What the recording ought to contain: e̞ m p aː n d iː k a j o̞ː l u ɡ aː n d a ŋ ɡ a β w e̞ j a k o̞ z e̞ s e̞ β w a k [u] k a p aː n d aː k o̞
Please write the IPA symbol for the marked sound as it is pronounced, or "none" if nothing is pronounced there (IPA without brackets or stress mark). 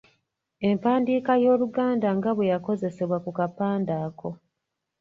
u